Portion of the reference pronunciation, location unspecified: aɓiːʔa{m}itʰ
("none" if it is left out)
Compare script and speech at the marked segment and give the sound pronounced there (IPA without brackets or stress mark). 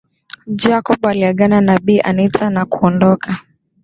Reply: n